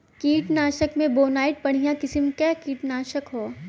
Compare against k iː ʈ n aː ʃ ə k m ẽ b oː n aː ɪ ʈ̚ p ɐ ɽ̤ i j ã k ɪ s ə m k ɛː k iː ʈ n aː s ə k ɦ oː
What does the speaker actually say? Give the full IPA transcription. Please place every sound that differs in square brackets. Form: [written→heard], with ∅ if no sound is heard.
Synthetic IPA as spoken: k iː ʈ n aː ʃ ə k m ẽ b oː n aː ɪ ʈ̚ p ɐ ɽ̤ i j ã k ɪ s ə m k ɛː k iː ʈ n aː [s→ʃ] ə k ɦ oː